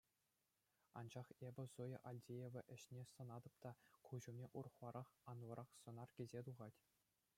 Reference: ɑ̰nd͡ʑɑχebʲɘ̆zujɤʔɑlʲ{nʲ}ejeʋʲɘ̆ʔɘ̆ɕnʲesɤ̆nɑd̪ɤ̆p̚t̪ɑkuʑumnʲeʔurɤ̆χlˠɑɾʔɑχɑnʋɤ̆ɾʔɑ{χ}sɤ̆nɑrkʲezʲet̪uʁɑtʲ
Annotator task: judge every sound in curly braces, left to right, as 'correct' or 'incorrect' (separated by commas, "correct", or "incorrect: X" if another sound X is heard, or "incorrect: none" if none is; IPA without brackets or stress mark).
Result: incorrect: dʲ, correct